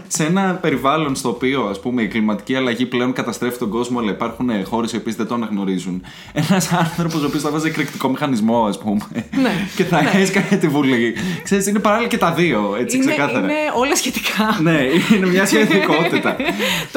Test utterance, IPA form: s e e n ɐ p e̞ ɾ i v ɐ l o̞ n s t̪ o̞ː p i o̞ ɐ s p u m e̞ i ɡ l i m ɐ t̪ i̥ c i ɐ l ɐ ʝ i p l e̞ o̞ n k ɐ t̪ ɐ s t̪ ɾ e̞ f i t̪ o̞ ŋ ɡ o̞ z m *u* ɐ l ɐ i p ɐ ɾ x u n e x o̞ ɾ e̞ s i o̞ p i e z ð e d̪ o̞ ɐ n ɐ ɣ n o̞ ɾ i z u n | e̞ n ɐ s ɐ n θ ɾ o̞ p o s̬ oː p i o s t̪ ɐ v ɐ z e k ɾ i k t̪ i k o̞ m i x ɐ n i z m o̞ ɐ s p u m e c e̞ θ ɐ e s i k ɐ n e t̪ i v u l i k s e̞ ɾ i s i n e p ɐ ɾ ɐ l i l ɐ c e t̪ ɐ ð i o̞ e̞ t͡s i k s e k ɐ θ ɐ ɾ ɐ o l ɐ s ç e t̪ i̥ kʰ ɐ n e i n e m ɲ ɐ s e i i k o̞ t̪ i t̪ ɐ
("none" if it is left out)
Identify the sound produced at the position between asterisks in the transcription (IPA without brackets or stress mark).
o